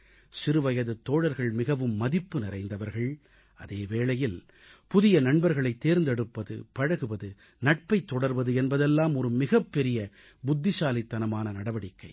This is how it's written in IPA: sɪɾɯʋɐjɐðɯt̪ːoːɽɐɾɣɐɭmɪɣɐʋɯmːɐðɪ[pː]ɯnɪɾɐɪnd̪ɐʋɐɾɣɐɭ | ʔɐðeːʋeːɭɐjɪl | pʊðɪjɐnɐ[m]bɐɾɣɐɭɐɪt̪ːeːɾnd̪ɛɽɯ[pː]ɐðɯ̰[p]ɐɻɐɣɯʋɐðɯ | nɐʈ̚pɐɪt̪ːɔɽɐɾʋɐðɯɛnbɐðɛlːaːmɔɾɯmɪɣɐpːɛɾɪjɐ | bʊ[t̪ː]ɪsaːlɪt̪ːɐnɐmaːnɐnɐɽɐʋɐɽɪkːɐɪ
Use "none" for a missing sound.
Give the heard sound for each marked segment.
pː, ɳ, pː, p, d̪ː

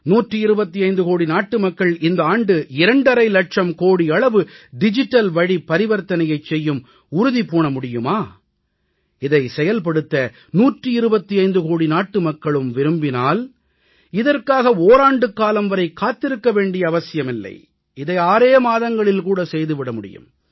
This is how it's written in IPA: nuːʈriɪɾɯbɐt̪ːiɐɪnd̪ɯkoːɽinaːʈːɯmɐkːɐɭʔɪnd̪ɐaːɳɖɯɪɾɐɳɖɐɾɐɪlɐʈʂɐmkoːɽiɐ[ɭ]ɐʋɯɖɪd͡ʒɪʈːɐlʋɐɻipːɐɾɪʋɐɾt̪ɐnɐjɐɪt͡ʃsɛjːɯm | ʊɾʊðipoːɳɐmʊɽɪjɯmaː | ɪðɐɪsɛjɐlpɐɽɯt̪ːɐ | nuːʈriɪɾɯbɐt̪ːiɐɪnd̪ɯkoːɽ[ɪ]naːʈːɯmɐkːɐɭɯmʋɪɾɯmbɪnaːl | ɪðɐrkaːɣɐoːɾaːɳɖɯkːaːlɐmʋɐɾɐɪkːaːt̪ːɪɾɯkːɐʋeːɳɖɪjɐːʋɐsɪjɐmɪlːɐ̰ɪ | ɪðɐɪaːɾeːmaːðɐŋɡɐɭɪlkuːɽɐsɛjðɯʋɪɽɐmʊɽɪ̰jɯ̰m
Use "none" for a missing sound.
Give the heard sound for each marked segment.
ɭ, i

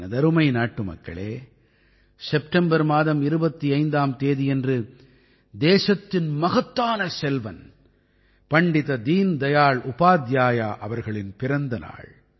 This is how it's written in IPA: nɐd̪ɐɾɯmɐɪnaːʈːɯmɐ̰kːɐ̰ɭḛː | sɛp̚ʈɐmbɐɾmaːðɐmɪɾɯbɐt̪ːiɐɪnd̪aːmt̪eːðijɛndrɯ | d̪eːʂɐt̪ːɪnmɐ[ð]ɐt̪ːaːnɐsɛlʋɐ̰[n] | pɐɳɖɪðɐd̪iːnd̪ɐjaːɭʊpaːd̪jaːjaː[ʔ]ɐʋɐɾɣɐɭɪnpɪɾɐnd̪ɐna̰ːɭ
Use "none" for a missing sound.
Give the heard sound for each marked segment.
ɣ, n, ʔ

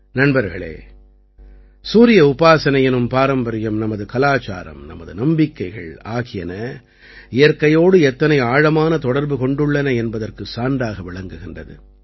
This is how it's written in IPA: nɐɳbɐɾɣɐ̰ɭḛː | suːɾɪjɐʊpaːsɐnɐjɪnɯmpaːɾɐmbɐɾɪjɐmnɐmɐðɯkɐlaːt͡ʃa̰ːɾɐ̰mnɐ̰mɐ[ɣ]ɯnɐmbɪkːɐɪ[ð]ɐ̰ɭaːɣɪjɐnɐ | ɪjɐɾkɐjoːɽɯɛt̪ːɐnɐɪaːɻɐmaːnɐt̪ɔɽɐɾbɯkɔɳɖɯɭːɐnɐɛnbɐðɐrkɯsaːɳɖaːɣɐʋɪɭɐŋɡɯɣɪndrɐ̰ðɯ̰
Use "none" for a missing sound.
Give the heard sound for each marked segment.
ð, ɣ

